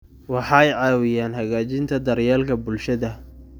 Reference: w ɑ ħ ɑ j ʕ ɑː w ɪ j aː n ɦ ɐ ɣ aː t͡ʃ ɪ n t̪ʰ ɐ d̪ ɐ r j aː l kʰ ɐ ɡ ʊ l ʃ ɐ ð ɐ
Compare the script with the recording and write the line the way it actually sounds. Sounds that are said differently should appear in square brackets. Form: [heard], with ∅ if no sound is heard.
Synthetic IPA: w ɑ ħ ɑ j ʕ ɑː w ɪ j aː n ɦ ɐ ɣ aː t͡ʃ ɪ n t̪ʰ ɐ d̪ ɐ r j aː l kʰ ɐ [b] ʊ l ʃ ɐ ð ɐ